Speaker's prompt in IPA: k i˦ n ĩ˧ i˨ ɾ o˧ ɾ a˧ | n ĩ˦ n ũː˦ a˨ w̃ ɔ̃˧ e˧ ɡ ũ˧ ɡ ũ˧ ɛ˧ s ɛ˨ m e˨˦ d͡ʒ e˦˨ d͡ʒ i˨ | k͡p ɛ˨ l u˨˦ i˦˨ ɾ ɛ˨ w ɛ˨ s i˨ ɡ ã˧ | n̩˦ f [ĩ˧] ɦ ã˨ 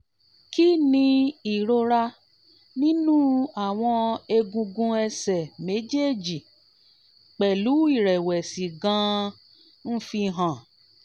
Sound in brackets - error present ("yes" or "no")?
yes